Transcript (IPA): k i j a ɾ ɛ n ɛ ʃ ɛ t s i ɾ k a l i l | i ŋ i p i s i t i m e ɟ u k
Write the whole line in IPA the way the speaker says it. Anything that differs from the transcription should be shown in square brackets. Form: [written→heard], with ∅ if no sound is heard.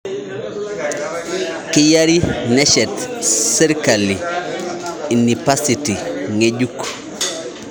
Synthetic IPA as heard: k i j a ɾ [ɛ→i] n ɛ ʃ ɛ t s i ɾ k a l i [l→∅] | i [ŋ→n] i p [i→a] s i t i [m→ŋ] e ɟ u k